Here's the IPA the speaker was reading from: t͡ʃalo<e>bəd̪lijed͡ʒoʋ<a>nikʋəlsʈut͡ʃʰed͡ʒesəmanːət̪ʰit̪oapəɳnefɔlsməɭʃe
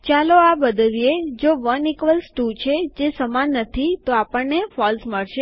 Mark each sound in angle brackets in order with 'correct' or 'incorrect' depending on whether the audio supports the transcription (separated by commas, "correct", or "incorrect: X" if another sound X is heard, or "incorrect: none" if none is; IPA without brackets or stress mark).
incorrect: a, incorrect: ə